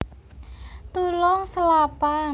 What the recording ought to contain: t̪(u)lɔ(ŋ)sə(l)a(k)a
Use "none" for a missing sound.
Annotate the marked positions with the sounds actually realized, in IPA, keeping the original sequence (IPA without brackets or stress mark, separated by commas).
u, ŋ, l, p